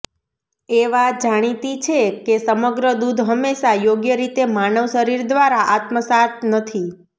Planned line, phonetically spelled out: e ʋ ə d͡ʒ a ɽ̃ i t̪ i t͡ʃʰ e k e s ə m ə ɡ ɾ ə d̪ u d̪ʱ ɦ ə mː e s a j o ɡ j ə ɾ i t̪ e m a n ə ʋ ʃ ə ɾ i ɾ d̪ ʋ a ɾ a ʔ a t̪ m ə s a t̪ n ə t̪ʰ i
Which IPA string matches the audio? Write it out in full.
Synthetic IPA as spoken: e ʋ a d͡ʒ a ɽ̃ i t̪ i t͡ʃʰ e k e s ə m ə ɡ ɾ ə d̪ u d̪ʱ ɦ ə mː e ʃ a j o ɡ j ə ɾ i t̪ e m a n ə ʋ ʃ ə ɾ i ɾ d̪ ʋ a ɾ a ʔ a t̪ m ə s a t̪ n ə t̪ʰ i